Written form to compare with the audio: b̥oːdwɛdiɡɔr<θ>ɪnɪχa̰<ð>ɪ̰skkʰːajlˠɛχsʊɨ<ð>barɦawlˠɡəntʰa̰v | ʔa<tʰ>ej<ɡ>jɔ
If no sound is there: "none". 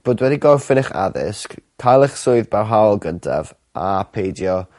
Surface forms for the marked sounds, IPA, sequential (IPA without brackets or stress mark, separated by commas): f, ð, ð, pʰ, d